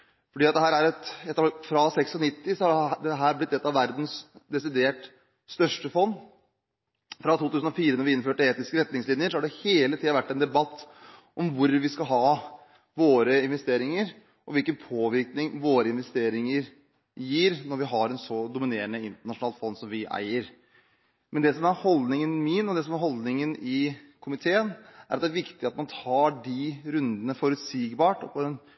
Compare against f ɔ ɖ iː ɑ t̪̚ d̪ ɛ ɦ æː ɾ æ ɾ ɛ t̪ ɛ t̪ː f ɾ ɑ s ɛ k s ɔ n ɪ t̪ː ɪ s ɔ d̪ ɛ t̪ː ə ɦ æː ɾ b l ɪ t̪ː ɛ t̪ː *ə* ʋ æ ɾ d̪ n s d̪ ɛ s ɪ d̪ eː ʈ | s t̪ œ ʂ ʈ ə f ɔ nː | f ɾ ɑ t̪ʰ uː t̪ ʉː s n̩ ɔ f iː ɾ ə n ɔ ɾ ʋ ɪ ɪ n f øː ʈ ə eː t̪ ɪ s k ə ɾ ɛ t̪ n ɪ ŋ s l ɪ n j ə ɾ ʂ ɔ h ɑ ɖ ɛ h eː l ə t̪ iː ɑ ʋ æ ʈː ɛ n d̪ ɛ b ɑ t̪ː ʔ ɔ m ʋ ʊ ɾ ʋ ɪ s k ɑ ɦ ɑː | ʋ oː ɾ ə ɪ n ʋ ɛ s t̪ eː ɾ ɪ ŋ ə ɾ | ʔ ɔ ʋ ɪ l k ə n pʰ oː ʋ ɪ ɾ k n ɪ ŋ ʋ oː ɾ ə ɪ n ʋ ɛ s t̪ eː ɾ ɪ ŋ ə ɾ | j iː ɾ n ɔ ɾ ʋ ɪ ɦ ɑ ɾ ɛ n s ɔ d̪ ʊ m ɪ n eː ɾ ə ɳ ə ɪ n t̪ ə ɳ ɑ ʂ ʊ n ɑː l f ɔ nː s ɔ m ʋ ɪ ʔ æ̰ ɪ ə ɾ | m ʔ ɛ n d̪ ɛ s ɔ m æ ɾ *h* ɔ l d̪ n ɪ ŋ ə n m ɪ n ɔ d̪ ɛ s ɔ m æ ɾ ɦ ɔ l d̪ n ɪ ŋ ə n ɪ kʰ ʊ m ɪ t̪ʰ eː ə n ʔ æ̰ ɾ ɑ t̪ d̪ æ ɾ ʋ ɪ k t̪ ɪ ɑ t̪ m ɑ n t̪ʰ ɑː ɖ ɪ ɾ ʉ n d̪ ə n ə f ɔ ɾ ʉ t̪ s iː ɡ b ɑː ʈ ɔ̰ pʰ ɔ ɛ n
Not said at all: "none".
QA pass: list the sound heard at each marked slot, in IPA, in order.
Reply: ɑ, h

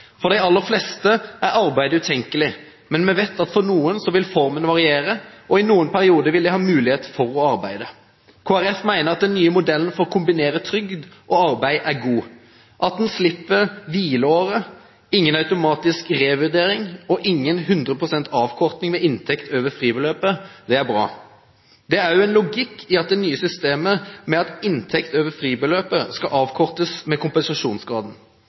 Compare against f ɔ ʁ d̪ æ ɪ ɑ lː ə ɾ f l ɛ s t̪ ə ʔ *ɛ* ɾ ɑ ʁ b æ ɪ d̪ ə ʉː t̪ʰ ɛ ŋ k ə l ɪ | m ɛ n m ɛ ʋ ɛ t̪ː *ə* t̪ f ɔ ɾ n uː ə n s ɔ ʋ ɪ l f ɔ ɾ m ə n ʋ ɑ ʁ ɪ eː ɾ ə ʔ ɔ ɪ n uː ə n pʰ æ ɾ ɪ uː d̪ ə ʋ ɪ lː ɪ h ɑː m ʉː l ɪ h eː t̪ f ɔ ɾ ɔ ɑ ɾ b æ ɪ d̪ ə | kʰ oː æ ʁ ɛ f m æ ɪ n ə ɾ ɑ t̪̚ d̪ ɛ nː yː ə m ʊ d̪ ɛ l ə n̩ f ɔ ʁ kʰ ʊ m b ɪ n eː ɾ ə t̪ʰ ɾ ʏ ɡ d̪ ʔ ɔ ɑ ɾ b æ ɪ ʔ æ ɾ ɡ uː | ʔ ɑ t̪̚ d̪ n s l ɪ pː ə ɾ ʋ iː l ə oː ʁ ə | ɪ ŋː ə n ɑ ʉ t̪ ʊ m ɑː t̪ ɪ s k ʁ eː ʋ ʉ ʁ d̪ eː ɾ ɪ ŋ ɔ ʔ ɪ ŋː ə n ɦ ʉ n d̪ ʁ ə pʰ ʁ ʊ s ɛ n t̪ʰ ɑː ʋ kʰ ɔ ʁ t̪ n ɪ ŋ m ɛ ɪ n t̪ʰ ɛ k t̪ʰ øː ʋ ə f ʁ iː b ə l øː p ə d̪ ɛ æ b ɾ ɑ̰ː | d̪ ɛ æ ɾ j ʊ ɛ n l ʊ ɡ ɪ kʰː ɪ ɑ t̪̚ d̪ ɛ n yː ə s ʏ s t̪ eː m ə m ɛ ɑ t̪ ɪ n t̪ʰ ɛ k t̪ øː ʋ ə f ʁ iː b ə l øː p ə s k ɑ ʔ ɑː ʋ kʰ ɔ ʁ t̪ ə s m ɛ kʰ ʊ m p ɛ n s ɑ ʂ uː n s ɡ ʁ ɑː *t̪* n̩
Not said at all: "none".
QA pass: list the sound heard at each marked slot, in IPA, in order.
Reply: æ, ɑ, d̪

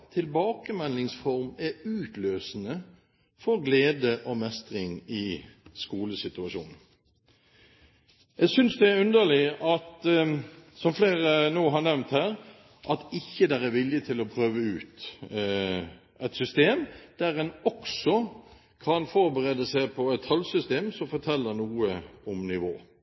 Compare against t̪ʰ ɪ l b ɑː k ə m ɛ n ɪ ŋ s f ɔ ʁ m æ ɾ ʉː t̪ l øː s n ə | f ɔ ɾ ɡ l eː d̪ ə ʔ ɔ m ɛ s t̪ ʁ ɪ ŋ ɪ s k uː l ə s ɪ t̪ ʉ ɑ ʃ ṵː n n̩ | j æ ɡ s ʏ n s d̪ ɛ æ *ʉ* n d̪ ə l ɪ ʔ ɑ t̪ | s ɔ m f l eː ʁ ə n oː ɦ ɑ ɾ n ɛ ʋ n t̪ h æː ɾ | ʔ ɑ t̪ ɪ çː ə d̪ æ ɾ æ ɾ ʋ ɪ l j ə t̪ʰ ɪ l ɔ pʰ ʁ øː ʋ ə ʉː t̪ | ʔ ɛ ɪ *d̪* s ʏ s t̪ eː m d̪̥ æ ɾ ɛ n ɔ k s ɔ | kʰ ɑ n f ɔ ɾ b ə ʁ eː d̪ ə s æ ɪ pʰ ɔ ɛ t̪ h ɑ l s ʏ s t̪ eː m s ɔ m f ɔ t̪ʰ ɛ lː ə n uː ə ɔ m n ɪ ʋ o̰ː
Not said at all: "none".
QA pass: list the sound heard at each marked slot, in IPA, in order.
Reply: ʉ, t̪

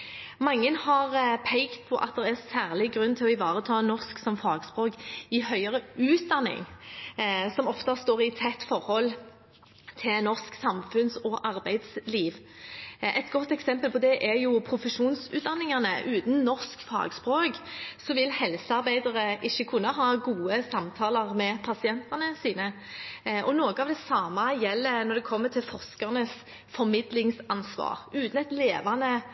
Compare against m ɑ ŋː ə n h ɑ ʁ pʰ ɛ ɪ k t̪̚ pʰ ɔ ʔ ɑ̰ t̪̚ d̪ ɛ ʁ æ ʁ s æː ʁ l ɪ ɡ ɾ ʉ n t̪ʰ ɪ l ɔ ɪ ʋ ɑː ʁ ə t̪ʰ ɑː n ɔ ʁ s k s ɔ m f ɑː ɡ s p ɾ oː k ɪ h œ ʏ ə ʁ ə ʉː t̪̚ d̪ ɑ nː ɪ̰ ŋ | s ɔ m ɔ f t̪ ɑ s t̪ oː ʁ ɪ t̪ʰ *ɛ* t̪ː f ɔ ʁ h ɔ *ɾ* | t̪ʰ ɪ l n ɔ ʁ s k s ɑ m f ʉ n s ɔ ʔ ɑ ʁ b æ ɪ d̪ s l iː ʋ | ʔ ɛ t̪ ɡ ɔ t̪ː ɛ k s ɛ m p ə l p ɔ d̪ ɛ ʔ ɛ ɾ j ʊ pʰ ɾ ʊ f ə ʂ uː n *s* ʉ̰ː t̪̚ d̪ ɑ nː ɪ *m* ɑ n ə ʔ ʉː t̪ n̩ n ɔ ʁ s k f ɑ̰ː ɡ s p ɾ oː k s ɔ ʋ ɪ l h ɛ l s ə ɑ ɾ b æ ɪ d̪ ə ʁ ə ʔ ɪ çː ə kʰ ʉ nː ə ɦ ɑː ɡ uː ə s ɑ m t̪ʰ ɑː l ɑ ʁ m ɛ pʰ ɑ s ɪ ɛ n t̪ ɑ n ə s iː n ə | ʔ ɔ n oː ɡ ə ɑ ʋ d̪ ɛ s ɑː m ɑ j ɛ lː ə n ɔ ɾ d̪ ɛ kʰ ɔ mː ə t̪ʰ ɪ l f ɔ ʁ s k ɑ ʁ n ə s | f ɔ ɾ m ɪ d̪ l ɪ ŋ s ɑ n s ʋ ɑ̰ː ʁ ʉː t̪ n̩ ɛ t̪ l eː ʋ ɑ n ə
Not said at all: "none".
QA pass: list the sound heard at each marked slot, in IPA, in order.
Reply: ɛ, l, s, ŋ

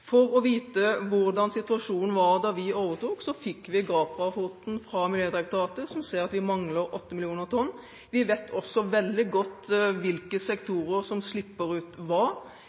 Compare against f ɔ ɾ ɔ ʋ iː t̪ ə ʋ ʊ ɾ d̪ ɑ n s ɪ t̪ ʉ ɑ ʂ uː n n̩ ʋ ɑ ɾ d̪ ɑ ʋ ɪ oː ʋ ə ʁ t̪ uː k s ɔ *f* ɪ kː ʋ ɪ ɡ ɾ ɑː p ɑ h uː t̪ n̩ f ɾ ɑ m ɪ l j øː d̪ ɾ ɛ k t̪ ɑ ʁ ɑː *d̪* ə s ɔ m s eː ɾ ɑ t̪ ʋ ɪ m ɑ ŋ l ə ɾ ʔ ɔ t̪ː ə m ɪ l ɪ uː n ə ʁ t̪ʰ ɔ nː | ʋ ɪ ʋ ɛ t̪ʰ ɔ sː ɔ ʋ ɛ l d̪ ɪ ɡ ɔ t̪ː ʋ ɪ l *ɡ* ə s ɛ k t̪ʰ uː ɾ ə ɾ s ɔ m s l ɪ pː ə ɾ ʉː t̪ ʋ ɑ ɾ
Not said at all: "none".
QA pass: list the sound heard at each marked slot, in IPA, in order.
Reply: f, t̪, k

